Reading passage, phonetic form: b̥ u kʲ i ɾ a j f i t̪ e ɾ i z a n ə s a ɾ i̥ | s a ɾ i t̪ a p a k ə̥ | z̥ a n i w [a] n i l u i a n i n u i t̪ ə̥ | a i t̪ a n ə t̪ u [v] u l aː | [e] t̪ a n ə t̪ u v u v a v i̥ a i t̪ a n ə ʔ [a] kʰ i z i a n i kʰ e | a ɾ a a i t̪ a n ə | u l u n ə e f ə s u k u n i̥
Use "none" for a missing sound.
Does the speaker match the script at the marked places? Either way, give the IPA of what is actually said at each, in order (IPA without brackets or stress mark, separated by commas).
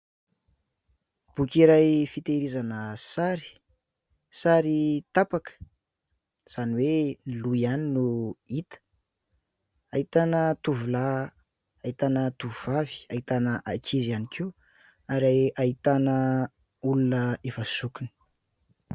e, v, i, a